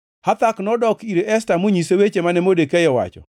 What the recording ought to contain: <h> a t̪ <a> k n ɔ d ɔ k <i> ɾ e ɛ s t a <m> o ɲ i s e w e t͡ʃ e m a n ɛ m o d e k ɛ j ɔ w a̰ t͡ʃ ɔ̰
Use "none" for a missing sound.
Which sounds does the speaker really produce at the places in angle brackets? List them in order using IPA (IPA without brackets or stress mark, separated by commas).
h, a, i, m